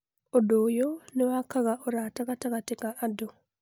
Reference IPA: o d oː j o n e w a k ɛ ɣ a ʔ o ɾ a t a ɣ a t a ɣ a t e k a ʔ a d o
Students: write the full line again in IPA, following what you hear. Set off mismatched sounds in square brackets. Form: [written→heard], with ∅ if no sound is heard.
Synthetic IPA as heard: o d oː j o n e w a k [ɛ→a] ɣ a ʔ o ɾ a t a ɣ a t a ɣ a t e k a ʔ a d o